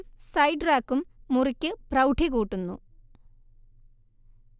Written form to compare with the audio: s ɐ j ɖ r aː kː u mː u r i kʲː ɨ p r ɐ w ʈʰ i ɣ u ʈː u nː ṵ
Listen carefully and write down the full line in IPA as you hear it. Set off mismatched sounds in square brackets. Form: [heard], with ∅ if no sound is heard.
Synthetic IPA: s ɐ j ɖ r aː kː u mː u r i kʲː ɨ p r ɐ w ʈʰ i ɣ [uː] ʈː u nː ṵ